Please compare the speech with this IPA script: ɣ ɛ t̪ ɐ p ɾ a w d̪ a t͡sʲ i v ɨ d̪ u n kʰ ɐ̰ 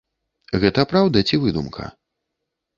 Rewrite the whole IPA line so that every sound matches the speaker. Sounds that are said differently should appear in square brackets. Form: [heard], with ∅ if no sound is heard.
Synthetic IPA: ɣ ɛ t̪ ɐ p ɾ a w d̪ [ɐ] t͡sʲ i v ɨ d̪ u [m] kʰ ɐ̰